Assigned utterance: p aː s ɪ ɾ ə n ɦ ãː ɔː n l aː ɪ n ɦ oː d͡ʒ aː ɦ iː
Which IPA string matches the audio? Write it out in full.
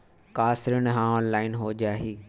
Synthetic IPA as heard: k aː s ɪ ɾ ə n ɦ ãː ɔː n l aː ɪ n ɦ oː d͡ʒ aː ɦ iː